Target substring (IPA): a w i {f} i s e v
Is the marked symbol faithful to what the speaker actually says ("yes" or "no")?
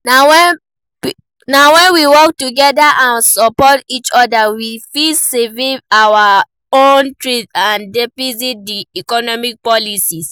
yes